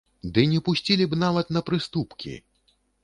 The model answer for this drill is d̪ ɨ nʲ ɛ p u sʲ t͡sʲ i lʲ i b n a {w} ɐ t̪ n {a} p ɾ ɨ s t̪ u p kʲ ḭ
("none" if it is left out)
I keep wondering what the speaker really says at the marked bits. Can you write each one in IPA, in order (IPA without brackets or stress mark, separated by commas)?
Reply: v, ɐ